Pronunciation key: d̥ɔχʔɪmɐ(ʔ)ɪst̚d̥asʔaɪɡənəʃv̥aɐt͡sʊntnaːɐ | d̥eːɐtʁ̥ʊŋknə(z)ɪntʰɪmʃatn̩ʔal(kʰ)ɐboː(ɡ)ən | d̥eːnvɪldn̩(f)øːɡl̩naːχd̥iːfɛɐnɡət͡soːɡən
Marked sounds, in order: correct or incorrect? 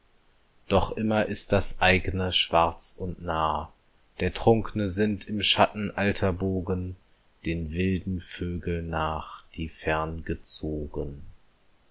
correct, correct, incorrect: tʰ, correct, correct

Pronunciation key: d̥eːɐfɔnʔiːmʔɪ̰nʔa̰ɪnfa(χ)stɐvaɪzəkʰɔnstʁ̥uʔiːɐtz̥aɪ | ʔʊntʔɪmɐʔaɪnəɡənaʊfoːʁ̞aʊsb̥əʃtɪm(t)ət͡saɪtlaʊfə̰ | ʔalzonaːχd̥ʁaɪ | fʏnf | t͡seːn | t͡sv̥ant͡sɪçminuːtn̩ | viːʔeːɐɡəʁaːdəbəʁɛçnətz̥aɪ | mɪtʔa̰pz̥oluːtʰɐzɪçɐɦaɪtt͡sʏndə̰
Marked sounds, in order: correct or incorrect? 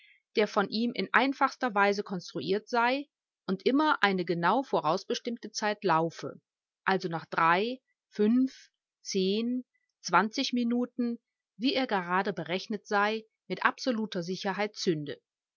correct, correct

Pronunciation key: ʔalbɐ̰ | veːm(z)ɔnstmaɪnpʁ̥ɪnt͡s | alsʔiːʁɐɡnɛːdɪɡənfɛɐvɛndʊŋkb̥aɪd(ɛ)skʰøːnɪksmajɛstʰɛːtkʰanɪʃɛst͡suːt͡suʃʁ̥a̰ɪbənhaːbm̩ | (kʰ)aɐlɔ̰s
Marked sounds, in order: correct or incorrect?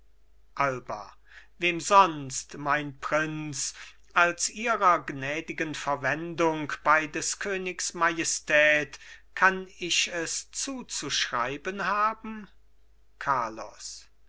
correct, correct, correct

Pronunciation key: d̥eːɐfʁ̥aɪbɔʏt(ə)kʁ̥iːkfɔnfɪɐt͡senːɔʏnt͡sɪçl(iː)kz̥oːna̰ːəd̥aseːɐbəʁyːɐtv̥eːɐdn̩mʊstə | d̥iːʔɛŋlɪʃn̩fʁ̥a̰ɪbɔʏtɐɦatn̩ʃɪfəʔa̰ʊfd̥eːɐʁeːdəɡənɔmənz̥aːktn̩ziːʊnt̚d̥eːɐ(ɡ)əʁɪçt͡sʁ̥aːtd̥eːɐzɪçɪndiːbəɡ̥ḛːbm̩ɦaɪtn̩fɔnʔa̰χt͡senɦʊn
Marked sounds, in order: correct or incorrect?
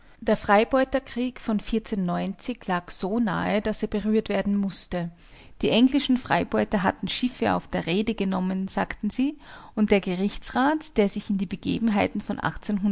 incorrect: ɐ, incorrect: aː, correct

